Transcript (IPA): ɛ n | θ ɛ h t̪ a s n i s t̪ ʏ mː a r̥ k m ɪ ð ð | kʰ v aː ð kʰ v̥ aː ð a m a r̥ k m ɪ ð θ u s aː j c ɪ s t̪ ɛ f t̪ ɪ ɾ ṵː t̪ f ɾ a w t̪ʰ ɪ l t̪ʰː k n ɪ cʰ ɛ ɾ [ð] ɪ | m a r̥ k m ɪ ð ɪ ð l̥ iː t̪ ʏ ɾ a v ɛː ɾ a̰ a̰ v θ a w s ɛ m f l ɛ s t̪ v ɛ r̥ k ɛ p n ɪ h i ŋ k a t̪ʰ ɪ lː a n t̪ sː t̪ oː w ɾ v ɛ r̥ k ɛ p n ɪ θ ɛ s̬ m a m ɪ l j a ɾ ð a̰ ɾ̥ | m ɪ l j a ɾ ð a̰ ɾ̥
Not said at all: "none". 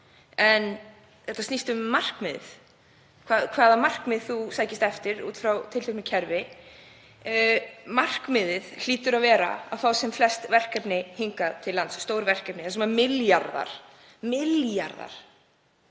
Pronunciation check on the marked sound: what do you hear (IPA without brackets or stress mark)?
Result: v